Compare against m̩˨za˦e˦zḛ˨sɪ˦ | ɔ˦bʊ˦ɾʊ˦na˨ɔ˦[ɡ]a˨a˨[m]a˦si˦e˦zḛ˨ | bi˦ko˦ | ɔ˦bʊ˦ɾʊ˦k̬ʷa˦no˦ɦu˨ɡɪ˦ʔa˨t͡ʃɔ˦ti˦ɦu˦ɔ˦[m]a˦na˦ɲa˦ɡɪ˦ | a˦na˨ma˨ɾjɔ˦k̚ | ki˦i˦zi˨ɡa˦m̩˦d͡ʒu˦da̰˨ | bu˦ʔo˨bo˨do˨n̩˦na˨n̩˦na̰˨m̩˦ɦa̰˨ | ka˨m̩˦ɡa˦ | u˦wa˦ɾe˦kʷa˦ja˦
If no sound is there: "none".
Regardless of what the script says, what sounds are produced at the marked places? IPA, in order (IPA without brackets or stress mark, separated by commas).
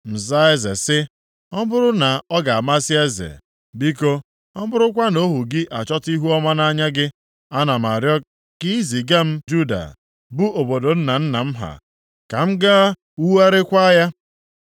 ɡ, m, m